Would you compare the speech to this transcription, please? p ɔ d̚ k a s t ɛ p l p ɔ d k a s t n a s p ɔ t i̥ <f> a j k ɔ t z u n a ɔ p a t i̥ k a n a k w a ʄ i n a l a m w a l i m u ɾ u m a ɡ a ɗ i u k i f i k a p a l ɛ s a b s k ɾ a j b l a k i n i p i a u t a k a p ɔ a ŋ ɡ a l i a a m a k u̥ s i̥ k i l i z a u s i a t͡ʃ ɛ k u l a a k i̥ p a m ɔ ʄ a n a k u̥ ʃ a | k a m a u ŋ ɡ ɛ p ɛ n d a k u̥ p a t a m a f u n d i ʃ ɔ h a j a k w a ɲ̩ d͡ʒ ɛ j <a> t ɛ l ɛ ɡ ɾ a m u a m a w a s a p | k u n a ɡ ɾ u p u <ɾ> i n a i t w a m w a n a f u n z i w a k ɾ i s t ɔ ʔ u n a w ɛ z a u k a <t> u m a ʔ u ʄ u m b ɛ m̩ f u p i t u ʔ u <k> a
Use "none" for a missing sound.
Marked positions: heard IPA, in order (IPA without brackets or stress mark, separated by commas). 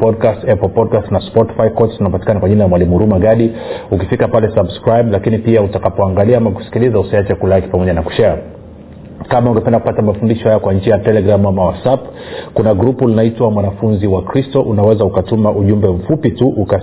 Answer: f, a, l, t, k